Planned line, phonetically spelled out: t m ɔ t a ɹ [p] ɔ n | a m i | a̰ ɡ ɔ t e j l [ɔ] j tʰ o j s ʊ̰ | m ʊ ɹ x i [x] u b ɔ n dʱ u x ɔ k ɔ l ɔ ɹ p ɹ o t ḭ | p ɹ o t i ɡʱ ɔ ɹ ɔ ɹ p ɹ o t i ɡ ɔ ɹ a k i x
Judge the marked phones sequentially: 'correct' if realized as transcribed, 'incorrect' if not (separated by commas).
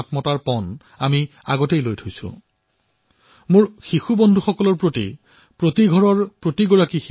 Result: correct, incorrect, correct